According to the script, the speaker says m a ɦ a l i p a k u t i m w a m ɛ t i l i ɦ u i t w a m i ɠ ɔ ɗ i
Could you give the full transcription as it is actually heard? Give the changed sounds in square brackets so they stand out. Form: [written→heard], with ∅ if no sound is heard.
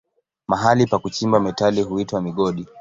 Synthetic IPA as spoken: m a ɦ a l i p a k u [t→t͡ʃ] i m [w→b] a m ɛ t [i→a] l i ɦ u i t w a m i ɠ ɔ ɗ i